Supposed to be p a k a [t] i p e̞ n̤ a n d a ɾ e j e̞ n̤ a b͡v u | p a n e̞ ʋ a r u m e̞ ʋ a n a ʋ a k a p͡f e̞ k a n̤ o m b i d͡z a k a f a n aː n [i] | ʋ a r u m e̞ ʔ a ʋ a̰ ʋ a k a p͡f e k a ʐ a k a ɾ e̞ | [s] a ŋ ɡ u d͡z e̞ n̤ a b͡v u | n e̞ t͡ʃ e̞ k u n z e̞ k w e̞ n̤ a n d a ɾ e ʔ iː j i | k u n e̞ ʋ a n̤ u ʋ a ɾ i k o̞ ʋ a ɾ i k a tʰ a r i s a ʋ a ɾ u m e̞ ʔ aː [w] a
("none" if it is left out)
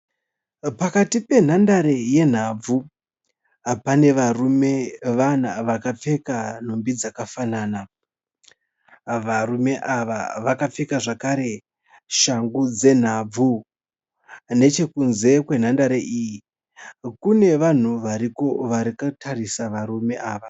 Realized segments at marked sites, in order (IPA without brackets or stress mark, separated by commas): t, a, ʃ, ʋ